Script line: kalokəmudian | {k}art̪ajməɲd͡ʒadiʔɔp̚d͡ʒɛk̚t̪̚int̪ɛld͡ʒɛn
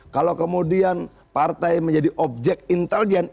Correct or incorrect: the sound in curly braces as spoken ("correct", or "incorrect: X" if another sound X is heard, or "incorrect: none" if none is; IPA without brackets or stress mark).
incorrect: p